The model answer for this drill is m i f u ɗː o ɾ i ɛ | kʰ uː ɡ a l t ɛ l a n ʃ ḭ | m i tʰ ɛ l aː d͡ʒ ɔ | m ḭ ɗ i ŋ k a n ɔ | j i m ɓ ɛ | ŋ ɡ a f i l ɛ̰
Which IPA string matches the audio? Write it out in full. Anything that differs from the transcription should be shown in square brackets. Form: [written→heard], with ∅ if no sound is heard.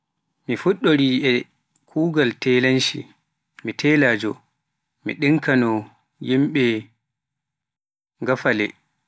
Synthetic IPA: m i f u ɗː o ɾ i ɛ | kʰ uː ɡ a l t ɛ l a n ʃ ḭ | m i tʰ ɛ l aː d͡ʒ ɔ | m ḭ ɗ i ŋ k a n ɔ | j i m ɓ ɛ | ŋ ɡ a f [i→a] l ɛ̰